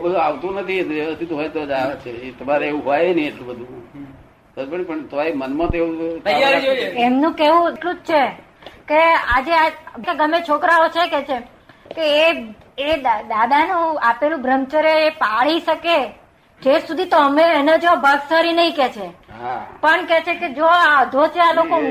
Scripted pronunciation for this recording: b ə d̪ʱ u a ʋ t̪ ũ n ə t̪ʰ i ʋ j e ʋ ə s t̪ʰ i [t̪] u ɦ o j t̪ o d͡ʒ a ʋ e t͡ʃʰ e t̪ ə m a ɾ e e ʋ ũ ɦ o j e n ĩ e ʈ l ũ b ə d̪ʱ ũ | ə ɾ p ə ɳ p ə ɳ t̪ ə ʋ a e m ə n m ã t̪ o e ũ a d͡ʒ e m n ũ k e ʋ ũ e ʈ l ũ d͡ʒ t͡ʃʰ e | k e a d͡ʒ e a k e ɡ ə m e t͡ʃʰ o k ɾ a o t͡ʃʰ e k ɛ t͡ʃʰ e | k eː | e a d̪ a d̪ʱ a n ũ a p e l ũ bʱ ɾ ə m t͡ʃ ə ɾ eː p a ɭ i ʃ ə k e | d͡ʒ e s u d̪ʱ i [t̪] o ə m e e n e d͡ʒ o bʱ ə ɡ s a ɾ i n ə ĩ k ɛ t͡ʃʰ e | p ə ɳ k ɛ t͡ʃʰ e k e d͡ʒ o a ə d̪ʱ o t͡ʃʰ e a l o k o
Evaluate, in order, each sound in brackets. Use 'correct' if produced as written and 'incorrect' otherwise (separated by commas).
correct, correct